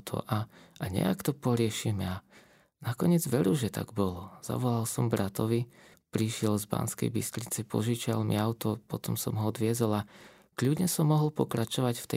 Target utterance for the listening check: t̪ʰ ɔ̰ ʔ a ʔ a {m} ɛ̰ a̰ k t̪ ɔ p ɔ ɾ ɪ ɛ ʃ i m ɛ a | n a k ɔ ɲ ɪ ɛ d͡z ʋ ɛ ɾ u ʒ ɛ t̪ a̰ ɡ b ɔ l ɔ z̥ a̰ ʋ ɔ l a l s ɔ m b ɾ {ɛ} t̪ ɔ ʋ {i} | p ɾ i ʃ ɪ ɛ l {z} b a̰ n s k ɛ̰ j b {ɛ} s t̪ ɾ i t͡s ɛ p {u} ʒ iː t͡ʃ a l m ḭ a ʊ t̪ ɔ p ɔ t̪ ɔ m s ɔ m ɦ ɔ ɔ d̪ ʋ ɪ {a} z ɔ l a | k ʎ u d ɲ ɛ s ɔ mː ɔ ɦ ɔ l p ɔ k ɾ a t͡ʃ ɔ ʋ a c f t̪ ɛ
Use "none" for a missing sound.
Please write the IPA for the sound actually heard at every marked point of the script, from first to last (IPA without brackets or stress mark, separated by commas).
ɲ, a, i, z, i, ɔ, ɛ